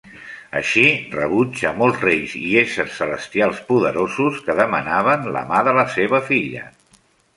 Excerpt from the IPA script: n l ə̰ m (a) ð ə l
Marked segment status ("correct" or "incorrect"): correct